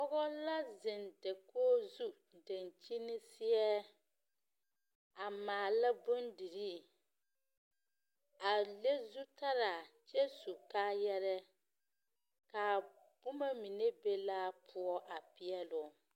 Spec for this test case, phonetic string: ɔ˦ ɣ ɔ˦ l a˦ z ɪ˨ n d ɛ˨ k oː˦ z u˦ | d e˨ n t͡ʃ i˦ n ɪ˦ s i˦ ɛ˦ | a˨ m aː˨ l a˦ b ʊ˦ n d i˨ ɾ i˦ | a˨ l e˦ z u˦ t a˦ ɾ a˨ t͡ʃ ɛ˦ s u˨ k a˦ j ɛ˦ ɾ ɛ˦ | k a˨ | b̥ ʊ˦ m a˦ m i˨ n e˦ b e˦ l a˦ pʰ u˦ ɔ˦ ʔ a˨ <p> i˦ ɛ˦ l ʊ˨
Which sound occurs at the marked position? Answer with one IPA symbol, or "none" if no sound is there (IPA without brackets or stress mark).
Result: p